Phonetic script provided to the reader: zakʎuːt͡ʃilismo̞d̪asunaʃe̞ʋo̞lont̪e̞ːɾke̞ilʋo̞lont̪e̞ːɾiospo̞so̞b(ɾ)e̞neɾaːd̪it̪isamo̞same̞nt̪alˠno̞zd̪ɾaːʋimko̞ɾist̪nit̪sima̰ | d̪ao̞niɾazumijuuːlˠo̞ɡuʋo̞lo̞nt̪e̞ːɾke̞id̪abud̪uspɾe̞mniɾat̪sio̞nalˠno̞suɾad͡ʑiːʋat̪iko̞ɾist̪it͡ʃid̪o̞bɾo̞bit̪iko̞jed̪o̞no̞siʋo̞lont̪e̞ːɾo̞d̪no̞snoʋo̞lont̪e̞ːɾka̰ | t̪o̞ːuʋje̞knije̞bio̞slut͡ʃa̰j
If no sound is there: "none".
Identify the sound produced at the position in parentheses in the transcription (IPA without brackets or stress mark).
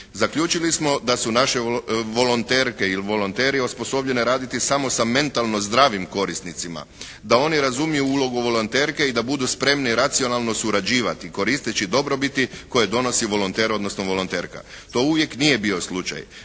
ʎ